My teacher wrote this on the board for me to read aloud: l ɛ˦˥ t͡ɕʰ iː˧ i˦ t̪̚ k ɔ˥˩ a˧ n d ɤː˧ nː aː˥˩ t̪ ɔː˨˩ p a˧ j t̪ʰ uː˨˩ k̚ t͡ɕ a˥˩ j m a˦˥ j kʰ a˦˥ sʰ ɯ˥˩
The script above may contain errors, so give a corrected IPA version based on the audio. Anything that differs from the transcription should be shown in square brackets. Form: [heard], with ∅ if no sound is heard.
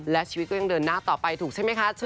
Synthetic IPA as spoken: l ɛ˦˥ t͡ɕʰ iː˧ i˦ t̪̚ k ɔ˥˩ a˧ [ŋ] d ɤː˧ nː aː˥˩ t̪ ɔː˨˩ p a˧ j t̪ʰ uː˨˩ k̚ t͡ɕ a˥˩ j m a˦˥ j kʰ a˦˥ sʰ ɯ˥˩